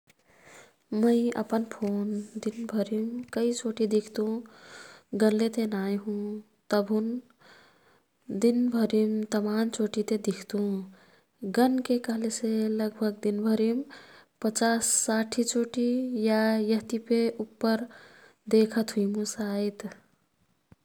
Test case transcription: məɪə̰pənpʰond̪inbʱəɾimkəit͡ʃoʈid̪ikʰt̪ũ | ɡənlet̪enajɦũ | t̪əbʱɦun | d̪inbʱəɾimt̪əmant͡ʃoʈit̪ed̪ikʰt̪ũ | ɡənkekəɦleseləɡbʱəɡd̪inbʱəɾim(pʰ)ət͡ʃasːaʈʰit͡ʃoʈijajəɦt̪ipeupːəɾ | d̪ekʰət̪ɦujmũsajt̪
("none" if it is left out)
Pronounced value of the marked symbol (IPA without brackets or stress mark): p